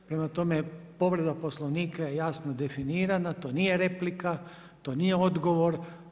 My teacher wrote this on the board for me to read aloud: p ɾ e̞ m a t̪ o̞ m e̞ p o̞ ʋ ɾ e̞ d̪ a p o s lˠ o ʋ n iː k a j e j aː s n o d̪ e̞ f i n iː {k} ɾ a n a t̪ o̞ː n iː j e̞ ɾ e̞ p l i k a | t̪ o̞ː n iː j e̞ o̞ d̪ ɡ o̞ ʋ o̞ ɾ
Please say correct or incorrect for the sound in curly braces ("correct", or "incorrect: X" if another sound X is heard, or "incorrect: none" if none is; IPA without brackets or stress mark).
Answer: incorrect: none